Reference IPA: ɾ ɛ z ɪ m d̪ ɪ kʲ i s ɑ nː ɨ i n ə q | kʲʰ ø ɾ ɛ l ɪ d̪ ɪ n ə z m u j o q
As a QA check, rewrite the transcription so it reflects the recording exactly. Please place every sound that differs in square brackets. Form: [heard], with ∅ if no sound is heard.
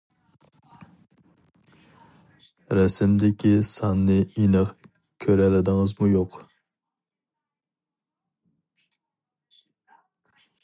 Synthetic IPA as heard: ɾ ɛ [s] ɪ m d̪ ɪ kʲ i s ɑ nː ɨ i n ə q | kʲʰ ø ɾ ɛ l ɪ d̪ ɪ [ŋ] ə z m u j o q